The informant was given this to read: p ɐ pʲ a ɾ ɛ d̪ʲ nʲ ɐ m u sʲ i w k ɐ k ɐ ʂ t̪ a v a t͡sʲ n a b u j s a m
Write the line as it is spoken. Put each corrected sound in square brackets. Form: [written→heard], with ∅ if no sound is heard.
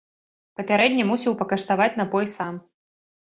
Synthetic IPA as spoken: p ɐ pʲ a ɾ ɛ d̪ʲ nʲ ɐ m u sʲ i w [k→p] ɐ k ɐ ʂ t̪ a v a t͡sʲ n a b [u→ɔ] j s a m

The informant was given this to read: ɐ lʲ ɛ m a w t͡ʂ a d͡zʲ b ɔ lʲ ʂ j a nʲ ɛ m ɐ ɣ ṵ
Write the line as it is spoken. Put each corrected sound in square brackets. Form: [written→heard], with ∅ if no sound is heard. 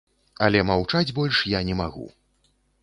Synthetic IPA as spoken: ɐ lʲ ɛ m a w t͡ʂ a d͡zʲ b ɔ lʲ ʂ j a nʲ ɛ m [ɐ→a] ɣ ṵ

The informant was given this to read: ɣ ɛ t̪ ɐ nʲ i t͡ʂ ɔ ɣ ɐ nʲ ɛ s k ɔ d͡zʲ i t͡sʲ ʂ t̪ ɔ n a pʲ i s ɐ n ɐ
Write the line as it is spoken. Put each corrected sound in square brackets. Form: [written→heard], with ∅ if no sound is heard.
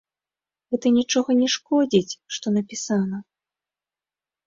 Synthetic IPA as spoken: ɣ ɛ t̪ ɐ nʲ i t͡ʂ ɔ ɣ ɐ nʲ ɛ [s→ʂ] k ɔ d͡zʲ i t͡sʲ ʂ t̪ ɔ n [a→ɐ] pʲ i s [ɐ→a] n ɐ

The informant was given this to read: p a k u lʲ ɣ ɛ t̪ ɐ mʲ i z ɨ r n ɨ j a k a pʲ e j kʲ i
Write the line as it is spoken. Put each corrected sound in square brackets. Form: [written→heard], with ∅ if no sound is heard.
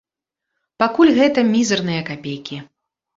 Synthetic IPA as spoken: p a k u lʲ ɣ ɛ t̪ ɐ mʲ i z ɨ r n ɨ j [a→ɐ] k a pʲ e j kʲ i

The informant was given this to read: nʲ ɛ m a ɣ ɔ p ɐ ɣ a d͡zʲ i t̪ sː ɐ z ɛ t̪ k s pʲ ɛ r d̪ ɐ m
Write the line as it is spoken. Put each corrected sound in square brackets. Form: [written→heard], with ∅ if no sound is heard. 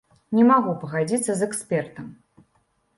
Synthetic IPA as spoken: nʲ ɛ m a ɣ [ɔ→u] p ɐ ɣ a d͡zʲ i t̪ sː ɐ z ɛ [t̪→∅] k s pʲ ɛ r [d̪→t̪] ɐ m

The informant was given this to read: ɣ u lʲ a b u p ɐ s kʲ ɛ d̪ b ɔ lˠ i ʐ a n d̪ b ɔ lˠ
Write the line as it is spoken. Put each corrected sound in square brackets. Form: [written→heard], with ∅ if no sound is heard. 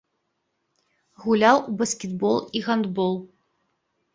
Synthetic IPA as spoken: ɣ u lʲ a [b→w] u [p→b] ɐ s kʲ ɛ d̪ b ɔ lˠ i [ʐ→ɣ] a n d̪ b ɔ lˠ

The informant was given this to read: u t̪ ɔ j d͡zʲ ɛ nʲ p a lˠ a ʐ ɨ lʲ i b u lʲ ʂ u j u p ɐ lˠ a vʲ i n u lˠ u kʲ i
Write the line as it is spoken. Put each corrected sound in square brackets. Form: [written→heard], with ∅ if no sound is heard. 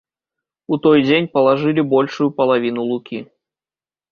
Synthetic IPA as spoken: u t̪ ɔ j d͡zʲ [ɛ→e] nʲ p [a→ɐ] lˠ a ʐ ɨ lʲ i b [u→ɔ] lʲ ʂ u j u p ɐ lˠ a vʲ i n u lˠ u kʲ i

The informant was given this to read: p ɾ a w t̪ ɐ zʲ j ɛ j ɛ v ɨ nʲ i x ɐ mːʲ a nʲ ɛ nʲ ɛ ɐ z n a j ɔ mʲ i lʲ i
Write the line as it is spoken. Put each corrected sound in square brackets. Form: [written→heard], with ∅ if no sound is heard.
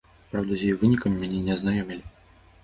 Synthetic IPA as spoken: p ɾ a w [t̪→d̪] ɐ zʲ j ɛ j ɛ v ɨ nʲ i [x→k] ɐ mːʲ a nʲ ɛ nʲ ɛ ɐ z n a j ɔ mʲ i lʲ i

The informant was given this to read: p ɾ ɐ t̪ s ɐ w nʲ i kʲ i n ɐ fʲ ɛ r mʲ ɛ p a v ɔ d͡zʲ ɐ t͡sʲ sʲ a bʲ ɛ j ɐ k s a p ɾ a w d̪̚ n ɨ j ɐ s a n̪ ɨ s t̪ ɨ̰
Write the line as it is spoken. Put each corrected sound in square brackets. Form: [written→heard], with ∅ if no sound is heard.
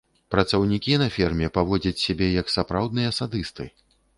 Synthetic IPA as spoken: p ɾ ɐ t̪ s ɐ w nʲ i kʲ i n ɐ fʲ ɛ r mʲ ɛ p a v ɔ d͡zʲ ɐ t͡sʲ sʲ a bʲ ɛ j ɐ k s a p ɾ a w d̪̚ n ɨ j ɐ s a [n̪→d̪] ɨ s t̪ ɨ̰

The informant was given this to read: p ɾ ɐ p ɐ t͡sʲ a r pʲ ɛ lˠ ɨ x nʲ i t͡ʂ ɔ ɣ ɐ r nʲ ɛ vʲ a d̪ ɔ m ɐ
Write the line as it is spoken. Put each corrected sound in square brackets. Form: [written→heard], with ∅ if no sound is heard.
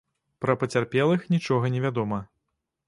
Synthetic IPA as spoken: p ɾ ɐ p ɐ t͡sʲ a r pʲ ɛ lˠ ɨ x nʲ i t͡ʂ ɔ ɣ ɐ [r→∅] nʲ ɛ vʲ a d̪ ɔ m ɐ

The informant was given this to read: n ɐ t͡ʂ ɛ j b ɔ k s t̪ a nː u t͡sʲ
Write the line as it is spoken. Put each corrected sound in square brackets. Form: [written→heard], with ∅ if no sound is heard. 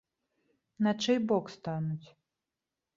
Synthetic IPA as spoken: n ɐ t͡ʂ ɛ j b ɔ k s t̪ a [nː→n] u t͡sʲ

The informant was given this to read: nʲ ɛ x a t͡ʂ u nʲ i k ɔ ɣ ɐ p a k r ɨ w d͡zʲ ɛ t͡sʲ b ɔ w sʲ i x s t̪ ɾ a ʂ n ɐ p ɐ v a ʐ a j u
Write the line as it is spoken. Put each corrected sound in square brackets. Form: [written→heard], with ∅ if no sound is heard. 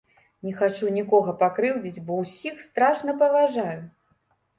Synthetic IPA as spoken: nʲ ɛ x a t͡ʂ u nʲ i k ɔ ɣ ɐ p a k [r→ɾ] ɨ w d͡zʲ [ɛ→i] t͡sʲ b ɔ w sʲ i x s t̪ ɾ a ʂ n ɐ p ɐ v a ʐ a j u

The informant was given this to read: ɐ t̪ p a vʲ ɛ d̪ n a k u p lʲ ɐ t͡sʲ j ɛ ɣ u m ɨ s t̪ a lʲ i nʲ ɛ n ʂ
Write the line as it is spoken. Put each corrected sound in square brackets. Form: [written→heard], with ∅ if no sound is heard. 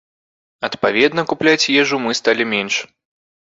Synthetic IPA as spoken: ɐ t̪ p a vʲ ɛ d̪ n [a→ɐ] k u p lʲ [ɐ→a] t͡sʲ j ɛ [ɣ→ʐ] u m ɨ s t̪ a lʲ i [nʲ→mʲ] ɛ n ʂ

